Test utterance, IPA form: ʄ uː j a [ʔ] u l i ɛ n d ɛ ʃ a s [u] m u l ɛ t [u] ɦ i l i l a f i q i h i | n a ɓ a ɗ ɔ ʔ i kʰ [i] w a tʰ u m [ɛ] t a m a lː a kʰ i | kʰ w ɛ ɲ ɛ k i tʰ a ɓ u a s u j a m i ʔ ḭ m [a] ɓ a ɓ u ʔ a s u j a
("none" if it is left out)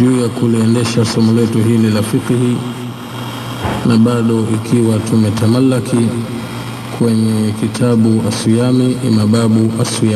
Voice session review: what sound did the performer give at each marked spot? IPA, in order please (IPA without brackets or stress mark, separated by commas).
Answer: k, ɔ, u, i, ɛ, a